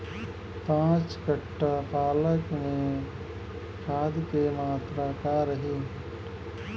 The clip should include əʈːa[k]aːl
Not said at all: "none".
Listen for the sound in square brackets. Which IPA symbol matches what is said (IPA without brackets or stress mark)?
p